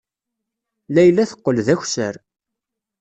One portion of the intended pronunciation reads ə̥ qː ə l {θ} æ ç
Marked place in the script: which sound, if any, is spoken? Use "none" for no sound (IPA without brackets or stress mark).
ð